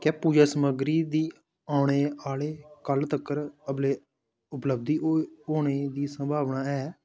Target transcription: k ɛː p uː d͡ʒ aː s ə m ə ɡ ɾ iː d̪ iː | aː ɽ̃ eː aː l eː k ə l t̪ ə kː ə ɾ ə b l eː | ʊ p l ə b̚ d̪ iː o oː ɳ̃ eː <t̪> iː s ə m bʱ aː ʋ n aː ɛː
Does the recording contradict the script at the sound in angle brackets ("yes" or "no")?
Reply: yes